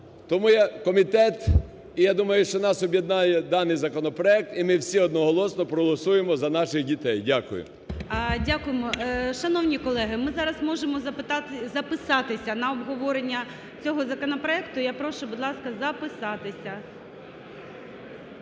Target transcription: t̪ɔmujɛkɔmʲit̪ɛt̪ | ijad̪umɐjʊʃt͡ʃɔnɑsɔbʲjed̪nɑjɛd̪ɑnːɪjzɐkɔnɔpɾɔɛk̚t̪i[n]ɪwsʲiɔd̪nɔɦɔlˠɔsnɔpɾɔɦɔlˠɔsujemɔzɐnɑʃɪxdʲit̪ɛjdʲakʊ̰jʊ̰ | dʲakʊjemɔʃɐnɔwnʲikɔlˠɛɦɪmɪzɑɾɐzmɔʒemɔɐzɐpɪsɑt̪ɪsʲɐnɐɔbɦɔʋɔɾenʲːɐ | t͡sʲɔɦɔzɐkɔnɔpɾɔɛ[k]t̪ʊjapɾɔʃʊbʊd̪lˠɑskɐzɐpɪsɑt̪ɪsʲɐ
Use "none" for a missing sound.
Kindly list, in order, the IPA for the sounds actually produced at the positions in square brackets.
m, k

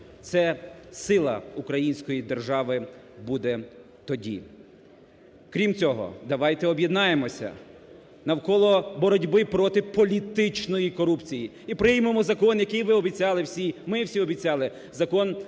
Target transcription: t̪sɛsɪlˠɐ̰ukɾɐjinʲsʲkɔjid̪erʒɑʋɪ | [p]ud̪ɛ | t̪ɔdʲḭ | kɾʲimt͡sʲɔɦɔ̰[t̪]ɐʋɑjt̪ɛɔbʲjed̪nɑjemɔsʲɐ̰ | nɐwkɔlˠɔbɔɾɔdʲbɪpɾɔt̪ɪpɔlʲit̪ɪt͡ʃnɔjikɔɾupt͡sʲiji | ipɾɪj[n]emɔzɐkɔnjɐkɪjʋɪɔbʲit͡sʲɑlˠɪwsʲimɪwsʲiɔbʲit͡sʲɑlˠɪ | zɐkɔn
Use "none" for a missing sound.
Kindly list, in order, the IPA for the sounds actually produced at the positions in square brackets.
b, d̪, m

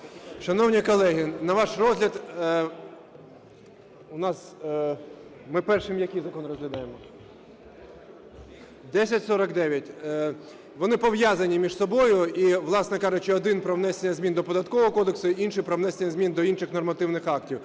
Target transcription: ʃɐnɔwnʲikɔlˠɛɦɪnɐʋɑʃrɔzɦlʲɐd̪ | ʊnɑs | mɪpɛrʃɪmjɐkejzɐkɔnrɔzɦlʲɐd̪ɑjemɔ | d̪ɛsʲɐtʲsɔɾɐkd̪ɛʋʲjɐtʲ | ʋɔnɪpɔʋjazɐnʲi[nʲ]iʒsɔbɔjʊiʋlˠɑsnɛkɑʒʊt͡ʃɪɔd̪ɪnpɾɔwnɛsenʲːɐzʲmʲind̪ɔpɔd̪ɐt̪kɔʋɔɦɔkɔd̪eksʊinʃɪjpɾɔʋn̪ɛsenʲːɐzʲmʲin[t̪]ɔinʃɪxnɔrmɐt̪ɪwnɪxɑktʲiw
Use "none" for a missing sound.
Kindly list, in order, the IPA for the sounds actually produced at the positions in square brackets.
mʲ, d̪

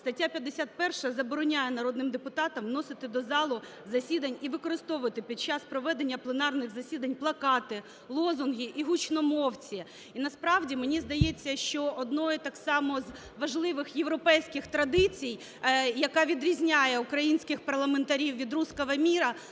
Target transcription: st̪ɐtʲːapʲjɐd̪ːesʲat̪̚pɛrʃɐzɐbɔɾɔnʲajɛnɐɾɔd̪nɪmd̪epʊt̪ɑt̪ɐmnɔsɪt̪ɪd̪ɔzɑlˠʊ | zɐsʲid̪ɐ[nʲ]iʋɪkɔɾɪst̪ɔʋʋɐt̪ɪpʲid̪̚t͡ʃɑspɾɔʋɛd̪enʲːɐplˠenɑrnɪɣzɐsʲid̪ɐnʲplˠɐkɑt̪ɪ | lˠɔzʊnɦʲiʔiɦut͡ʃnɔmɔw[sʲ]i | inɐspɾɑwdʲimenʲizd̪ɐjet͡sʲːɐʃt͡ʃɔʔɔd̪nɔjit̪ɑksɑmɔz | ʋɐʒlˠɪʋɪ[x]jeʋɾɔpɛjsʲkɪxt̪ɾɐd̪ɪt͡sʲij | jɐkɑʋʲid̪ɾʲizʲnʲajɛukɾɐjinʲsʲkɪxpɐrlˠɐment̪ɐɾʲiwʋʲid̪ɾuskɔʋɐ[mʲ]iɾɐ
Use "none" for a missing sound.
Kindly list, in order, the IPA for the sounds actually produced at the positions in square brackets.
nʲ, t͡sʲ, x, mʲ

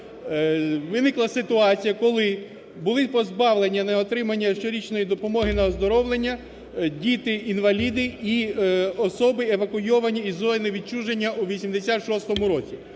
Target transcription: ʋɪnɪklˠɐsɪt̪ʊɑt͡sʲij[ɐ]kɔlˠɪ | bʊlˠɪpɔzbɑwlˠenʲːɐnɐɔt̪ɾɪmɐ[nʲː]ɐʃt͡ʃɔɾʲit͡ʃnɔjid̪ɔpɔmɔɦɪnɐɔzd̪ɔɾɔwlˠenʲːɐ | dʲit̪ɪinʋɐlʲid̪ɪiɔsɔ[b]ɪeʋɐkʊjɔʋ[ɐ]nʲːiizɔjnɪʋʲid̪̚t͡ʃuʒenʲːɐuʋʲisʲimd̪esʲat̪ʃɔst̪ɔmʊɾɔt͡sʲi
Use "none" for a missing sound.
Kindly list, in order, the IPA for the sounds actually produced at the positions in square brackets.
ɐ, nʲː, b, ɐ

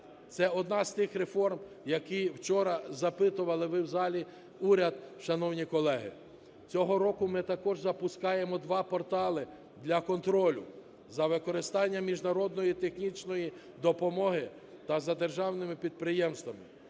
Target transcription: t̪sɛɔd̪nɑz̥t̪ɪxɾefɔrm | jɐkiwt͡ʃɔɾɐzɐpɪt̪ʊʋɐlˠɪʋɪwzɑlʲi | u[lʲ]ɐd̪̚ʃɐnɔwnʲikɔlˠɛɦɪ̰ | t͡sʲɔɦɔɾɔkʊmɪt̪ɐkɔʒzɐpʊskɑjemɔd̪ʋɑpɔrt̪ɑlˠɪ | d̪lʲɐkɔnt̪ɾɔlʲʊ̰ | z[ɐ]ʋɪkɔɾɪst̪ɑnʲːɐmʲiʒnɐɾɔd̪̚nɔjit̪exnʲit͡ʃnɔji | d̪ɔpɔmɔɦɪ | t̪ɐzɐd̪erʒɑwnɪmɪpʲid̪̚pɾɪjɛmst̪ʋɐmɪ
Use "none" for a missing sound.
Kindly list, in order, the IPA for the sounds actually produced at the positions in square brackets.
ɾʲ, ɐ

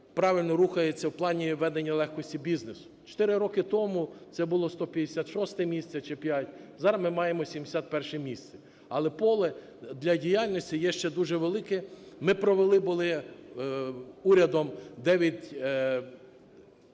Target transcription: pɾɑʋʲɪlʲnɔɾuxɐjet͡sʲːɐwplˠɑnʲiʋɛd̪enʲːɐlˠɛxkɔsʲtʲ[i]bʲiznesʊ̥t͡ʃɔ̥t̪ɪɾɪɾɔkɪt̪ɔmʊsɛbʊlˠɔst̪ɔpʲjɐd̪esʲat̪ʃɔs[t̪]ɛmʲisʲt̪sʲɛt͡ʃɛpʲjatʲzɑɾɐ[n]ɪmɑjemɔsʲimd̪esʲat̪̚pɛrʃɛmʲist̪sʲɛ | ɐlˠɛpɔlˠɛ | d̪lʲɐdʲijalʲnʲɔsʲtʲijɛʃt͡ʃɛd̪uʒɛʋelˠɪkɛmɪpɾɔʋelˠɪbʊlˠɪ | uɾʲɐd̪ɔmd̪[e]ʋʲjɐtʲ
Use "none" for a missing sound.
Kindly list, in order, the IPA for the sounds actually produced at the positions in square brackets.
i, t̪, m, ɛ

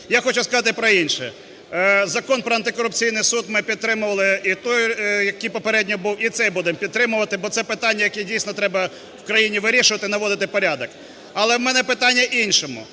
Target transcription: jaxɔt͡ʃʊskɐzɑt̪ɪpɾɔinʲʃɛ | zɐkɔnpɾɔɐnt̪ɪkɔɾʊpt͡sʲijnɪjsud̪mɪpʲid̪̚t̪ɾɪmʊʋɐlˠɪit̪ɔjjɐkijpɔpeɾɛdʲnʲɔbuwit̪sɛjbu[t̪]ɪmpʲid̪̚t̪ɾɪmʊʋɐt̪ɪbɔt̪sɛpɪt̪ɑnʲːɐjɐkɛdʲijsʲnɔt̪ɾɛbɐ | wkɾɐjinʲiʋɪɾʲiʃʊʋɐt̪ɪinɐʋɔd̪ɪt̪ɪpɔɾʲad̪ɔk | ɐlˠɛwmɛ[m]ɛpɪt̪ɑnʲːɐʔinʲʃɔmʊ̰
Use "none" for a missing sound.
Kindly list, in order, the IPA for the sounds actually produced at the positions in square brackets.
d̪, n

